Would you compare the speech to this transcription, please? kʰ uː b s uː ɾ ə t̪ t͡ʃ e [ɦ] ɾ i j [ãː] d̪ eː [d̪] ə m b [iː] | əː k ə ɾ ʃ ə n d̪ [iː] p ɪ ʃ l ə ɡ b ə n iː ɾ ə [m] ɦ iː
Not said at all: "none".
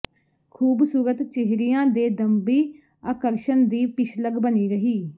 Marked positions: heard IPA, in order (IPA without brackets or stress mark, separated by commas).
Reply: ɦ, ãː, d̪, iː, iː, none